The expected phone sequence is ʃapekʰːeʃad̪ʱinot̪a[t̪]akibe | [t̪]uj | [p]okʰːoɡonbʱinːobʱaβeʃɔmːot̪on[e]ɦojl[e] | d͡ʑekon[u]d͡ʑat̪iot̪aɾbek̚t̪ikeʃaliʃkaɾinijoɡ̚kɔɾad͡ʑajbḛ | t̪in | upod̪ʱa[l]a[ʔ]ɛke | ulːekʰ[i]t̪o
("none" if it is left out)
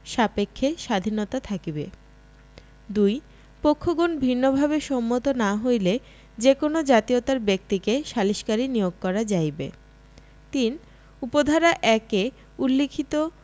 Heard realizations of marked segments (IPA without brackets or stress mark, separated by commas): t̪ʰ, d̪, p, a, e, o, ɾ, ʔ, i